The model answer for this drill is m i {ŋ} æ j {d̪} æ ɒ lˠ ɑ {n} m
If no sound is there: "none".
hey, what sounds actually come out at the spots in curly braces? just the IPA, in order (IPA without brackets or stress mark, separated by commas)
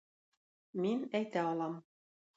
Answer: n, t̪, none